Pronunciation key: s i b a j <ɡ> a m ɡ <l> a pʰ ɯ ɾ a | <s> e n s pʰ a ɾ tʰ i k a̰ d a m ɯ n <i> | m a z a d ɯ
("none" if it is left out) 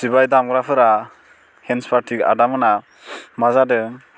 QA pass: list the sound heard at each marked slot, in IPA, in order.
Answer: d, ɾ, h, a

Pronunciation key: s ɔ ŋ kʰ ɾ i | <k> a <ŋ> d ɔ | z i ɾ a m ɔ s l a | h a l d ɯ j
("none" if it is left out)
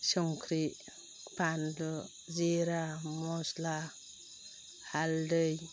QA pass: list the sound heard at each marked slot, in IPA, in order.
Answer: p, n

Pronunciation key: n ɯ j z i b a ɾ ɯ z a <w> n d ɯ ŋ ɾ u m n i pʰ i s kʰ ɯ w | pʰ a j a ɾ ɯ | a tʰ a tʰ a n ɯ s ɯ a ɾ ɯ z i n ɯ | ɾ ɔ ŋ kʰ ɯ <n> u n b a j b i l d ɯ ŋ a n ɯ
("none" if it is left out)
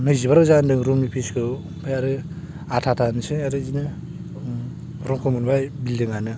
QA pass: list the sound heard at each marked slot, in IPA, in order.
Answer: none, m

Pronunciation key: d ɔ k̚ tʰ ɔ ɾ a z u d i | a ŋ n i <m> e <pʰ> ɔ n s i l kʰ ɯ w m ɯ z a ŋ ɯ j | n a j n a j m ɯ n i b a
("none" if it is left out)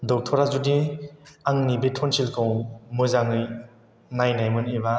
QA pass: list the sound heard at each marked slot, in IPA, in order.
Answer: b, tʰ

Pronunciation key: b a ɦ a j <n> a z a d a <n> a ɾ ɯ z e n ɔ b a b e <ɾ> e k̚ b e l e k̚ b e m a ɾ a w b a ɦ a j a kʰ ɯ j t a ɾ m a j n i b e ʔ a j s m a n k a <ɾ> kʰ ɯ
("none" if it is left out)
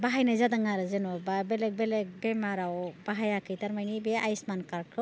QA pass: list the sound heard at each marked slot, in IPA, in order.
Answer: n, ŋ, l, ɾ

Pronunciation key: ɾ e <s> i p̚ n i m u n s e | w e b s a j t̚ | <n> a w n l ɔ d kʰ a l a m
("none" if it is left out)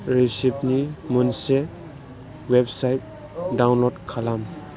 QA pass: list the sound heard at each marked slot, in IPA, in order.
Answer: s, d

